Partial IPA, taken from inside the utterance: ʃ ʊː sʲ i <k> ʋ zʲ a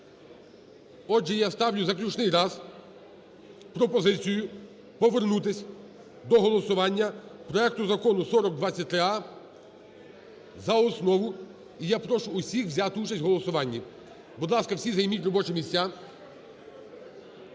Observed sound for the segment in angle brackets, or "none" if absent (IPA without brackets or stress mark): x